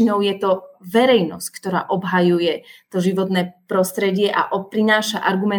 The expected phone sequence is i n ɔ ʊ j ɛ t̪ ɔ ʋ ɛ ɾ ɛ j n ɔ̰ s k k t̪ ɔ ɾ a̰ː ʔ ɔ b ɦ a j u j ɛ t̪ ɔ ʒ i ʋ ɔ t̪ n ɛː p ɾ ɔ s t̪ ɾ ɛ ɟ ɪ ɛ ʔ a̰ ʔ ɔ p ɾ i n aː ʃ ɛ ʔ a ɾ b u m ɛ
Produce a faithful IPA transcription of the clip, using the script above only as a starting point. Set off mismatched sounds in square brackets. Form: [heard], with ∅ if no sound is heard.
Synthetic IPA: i n ɔ ʊ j ɛ t̪ ɔ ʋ ɛ ɾ ɛ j n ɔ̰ s [c] k t̪ ɔ ɾ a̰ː ʔ ɔ b ɦ a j u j ɛ t̪ ɔ ʒ i ʋ ɔ t̪ n ɛː p ɾ ɔ s t̪ ɾ ɛ ɟ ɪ ɛ ʔ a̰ ʔ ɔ p ɾ i n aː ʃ [a] ʔ a ɾ [ɡ] u m ɛ